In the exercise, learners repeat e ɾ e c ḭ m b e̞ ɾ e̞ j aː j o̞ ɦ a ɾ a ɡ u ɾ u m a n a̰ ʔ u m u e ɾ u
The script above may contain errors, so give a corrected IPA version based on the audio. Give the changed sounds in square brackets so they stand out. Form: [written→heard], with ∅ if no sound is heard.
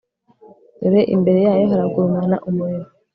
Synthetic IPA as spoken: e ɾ e [c→ʔ] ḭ m b e̞ ɾ e̞ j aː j o̞ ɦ a ɾ a ɡ u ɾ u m a n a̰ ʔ u m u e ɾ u